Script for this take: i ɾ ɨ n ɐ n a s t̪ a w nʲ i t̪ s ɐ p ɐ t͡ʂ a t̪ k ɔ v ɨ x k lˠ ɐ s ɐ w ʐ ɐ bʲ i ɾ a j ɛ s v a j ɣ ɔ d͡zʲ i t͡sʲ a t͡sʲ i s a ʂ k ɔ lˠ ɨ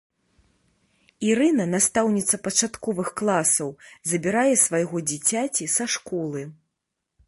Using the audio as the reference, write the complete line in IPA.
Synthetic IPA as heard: i ɾ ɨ n ɐ n a s t̪ a w nʲ i t̪ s ɐ p ɐ t͡ʂ a t̪ k ɔ v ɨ x k lˠ a s ɐ w z ɐ bʲ i ɾ a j ɛ s v a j ɣ ɔ d͡zʲ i t͡sʲ a t͡sʲ i s a ʂ k ɔ lˠ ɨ